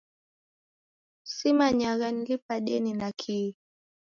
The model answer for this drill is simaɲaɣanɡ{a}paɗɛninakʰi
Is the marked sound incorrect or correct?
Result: incorrect